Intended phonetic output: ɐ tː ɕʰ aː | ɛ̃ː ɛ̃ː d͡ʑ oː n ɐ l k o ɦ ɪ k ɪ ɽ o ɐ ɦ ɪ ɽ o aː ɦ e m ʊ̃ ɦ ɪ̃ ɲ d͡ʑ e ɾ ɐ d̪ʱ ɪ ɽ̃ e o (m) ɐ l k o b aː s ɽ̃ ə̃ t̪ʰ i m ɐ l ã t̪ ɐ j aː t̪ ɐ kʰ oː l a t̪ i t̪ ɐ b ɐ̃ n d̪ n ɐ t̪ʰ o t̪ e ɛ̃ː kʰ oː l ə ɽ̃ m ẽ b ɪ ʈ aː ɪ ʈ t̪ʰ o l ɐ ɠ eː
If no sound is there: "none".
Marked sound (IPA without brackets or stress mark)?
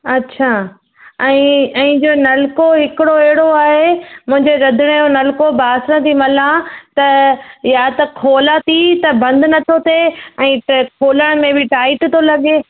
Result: n